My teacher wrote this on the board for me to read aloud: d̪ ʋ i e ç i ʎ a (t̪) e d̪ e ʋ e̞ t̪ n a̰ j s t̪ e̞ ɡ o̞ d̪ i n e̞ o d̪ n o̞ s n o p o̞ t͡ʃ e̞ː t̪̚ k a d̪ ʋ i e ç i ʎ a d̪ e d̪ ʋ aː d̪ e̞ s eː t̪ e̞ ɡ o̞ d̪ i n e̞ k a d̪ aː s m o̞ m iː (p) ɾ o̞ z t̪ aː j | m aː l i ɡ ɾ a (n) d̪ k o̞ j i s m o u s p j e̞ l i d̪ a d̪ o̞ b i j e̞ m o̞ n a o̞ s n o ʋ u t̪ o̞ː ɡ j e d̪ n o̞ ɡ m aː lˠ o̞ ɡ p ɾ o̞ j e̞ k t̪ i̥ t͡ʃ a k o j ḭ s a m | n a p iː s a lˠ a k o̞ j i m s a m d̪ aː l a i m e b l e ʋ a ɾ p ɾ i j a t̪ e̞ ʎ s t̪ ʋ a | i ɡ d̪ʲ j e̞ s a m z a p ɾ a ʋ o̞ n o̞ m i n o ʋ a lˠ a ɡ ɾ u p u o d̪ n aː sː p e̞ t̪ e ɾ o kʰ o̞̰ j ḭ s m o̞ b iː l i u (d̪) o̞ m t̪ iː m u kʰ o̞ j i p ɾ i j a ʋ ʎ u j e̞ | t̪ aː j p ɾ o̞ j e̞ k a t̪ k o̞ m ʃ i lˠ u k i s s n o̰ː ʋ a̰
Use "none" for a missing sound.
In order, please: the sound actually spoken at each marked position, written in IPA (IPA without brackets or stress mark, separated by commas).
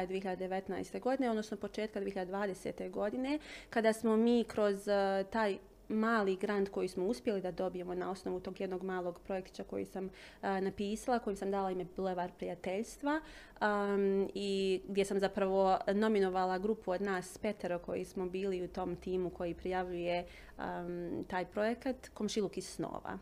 d̪, k, n, t̪